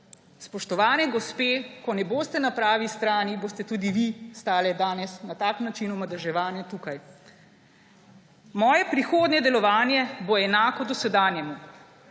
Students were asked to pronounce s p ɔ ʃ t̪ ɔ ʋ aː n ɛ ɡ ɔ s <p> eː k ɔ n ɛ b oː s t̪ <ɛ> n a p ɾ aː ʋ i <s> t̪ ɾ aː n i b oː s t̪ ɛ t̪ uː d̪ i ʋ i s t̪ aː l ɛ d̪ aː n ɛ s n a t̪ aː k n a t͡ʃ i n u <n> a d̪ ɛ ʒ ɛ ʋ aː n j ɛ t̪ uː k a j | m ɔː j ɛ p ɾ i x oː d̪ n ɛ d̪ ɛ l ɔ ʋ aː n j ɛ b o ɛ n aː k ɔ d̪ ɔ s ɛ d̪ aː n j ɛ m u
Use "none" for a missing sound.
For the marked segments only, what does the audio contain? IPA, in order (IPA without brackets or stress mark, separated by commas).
p, ɛ, s, m